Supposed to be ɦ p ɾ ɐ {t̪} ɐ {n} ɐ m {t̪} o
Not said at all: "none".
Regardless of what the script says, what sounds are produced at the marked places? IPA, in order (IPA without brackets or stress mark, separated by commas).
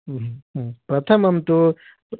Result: t̪ʰ, m, t̪